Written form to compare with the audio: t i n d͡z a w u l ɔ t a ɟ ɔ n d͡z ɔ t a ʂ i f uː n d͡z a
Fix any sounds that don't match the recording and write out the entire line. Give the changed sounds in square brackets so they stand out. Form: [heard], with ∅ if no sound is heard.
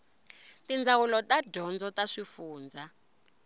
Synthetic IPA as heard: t i n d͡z a w u l ɔ t a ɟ ɔ n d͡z ɔ t a ʂ i f uː n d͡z a